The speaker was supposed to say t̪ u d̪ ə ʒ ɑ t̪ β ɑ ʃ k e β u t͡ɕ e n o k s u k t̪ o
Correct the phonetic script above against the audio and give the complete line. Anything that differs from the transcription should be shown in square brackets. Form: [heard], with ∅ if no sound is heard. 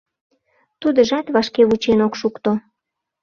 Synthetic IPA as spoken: t̪ u d̪ ə ʒ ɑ t̪ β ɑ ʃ k e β u t͡ɕ e n o k [ʃ] u k t̪ o